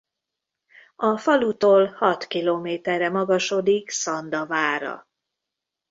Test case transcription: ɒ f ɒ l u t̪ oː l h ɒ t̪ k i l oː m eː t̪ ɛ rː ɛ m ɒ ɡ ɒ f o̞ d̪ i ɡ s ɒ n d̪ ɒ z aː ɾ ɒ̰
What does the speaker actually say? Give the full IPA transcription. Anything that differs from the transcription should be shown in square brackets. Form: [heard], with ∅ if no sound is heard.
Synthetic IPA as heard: ɒ f ɒ l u t̪ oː l h ɒ t̪ k i l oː m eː t̪ ɛ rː ɛ m ɒ ɡ ɒ [ʃ] o̞ d̪ i [k] s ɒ n d̪ ɒ [v] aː ɾ ɒ̰